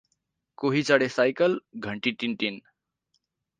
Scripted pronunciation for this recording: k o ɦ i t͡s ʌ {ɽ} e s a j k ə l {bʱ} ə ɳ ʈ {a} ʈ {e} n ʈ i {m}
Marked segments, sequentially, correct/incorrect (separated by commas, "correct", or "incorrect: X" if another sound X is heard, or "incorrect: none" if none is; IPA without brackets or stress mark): correct, incorrect: ɡʱ, incorrect: i, incorrect: i, incorrect: n